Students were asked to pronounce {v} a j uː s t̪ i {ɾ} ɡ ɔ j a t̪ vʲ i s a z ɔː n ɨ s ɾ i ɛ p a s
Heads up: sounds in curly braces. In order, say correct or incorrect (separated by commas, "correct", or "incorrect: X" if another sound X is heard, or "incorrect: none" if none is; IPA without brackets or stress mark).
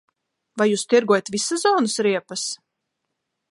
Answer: correct, correct